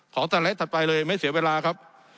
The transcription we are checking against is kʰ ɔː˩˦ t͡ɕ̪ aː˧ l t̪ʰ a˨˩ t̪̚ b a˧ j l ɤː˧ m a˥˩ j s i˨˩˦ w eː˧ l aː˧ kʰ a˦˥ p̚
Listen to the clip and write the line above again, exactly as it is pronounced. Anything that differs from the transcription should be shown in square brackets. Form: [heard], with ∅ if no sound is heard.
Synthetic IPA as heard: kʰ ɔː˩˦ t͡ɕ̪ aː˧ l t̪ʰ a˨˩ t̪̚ [p] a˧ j l ɤː˧ m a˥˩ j s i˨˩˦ w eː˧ l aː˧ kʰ a˦˥ p̚